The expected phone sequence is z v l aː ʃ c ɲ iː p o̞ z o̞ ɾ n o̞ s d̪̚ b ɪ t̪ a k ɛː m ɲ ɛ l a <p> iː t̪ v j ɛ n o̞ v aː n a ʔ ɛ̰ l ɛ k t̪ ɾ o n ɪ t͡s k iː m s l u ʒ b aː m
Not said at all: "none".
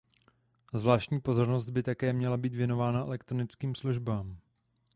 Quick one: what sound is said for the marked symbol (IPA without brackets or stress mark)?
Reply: b